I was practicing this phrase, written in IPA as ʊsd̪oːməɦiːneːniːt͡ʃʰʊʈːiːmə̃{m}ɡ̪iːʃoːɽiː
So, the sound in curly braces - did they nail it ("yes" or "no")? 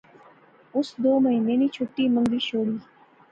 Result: no